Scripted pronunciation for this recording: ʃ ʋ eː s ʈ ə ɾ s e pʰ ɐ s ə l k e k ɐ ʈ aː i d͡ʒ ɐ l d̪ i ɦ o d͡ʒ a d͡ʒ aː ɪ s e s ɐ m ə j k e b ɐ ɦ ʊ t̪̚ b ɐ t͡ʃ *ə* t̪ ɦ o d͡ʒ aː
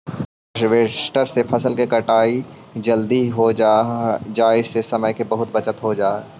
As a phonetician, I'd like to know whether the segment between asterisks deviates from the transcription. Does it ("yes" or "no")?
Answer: no